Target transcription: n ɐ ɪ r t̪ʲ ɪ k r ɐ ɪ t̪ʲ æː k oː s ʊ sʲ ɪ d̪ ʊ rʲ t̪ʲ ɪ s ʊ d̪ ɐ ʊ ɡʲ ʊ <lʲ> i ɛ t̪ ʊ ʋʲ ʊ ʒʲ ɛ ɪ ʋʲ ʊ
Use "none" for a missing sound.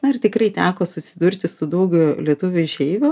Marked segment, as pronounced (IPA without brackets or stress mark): lʲ